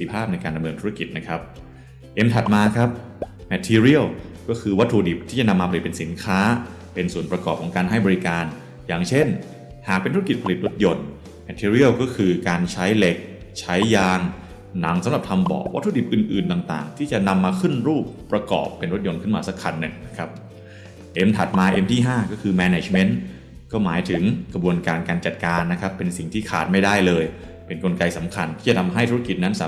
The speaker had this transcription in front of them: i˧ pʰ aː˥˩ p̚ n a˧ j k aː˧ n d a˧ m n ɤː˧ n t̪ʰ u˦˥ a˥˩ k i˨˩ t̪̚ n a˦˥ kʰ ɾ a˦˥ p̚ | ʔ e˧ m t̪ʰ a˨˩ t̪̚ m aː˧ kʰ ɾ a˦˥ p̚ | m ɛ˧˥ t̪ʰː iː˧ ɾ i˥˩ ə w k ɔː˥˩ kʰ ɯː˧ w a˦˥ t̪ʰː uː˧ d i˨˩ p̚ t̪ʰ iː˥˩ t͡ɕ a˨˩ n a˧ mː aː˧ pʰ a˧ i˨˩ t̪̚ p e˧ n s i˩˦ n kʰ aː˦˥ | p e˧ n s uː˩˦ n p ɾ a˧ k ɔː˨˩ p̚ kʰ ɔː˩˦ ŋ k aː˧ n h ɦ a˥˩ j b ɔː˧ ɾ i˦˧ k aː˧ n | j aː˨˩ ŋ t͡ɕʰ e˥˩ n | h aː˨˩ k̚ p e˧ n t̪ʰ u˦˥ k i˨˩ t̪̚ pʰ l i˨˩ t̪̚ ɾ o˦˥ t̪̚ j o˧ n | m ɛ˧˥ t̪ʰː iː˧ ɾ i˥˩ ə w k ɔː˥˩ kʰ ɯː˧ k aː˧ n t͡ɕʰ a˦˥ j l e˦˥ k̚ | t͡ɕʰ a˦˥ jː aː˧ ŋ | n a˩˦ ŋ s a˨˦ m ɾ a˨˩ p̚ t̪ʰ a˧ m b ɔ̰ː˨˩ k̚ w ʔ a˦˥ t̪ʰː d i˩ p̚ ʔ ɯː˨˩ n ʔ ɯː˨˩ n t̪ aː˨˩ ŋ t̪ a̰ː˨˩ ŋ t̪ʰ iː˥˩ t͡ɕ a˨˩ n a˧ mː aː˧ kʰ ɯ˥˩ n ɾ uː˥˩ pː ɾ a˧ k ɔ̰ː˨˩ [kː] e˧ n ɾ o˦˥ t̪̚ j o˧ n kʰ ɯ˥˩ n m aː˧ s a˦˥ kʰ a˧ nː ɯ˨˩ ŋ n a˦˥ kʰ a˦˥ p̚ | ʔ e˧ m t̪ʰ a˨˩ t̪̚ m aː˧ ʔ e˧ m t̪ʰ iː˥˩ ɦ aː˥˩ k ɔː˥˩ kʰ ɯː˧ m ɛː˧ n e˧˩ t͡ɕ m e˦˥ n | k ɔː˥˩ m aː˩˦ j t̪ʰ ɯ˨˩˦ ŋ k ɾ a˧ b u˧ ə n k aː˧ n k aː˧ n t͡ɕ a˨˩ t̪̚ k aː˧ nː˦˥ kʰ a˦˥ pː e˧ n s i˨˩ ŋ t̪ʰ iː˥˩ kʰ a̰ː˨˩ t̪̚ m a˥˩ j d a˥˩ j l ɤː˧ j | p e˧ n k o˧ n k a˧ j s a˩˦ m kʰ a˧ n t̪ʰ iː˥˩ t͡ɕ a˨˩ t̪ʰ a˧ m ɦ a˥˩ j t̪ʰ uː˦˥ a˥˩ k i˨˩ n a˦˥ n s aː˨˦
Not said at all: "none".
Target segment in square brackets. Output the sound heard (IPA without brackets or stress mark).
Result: pː